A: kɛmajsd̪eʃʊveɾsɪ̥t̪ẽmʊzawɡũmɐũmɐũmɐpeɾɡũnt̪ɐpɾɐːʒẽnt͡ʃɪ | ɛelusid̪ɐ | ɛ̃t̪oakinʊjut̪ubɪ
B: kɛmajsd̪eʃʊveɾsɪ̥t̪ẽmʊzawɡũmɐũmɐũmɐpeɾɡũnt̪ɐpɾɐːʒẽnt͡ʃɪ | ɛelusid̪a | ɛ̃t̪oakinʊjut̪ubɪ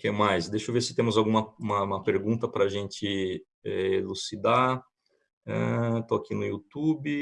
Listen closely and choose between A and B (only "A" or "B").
B